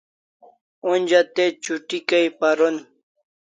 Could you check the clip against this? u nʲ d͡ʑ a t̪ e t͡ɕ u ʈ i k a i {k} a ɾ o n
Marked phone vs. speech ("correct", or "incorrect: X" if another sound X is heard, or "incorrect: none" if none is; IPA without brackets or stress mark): incorrect: p